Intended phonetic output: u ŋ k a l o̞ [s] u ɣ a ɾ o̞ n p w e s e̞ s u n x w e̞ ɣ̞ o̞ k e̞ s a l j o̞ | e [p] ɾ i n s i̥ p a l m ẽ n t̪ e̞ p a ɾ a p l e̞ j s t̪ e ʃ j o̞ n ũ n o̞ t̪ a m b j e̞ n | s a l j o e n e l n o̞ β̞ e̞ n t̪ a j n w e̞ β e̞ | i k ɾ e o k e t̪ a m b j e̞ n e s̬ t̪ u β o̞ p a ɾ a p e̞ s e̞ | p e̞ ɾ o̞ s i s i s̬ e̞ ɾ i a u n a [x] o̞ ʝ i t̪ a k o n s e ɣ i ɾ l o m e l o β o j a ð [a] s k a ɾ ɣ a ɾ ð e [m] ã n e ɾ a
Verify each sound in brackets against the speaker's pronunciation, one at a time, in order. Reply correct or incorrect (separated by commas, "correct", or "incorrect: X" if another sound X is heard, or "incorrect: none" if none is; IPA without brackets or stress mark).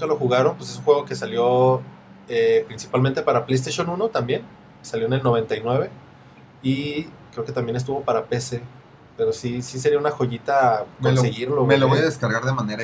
incorrect: x, correct, correct, incorrect: e, correct